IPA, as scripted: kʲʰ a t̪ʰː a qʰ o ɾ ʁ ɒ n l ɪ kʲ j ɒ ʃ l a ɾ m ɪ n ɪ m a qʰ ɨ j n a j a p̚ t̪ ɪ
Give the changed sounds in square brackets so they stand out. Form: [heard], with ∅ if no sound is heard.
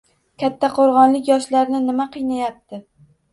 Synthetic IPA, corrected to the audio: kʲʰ a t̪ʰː a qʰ o ɾ ʁ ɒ n l ɪ kʲ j ɒ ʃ l a ɾ [n] ɪ n ɪ m a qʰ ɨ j n a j a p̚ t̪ ɪ